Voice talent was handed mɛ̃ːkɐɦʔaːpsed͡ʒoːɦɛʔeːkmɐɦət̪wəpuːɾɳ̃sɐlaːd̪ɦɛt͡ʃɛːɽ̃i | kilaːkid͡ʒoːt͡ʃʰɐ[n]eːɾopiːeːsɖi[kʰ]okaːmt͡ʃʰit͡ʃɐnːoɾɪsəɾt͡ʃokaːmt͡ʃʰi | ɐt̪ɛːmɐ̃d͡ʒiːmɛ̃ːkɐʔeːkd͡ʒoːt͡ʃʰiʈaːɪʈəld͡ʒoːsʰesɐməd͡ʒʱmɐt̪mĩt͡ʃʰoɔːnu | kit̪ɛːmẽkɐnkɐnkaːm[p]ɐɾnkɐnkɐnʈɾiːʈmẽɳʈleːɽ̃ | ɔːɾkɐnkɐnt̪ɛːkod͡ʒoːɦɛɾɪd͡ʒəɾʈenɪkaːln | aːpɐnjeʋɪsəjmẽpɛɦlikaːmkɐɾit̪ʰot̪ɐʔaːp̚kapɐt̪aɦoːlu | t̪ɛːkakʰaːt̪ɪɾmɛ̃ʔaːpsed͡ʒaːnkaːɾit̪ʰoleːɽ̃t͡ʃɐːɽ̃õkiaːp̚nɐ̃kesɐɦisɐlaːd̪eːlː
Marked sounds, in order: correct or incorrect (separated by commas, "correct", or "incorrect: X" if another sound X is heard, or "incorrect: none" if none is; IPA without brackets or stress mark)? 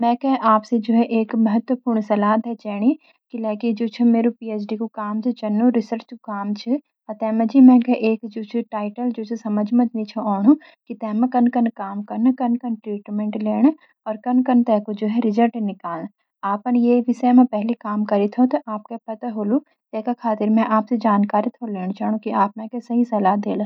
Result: incorrect: m, incorrect: k, incorrect: k